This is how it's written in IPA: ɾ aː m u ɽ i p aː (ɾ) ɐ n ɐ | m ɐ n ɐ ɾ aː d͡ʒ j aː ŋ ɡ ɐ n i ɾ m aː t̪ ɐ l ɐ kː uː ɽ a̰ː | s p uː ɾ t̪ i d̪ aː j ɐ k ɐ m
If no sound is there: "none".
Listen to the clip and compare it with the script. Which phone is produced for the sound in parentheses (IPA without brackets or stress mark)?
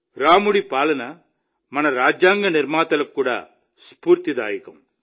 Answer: l